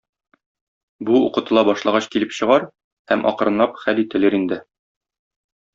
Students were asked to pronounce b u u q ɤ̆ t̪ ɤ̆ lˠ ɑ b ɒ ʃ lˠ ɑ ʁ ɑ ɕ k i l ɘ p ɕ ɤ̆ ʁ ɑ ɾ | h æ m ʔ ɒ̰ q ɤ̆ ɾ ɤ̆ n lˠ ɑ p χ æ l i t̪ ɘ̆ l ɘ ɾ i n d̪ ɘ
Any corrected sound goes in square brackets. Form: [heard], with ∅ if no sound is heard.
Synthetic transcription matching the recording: b u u q ɤ̆ t̪ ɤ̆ lˠ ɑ b ɒ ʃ lˠ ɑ ʁ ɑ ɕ k i l ɘ p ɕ ɤ̆ ʁ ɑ ɾ | h æ m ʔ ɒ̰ q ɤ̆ ɾ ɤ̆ n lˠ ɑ p χ æ l i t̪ ɘ̆ l ɘ ɾ i n d̪ ɘ